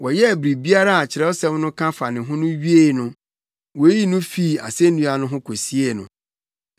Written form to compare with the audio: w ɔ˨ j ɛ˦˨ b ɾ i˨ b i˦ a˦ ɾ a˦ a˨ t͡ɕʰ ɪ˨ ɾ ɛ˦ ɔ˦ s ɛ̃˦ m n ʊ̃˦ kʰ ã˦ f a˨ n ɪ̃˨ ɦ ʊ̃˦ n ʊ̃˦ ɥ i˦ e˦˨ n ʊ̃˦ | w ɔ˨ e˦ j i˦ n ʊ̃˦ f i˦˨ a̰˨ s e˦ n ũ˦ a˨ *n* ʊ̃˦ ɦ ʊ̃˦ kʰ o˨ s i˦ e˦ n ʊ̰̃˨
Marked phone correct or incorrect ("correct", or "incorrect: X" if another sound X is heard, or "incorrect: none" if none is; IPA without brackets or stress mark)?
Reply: correct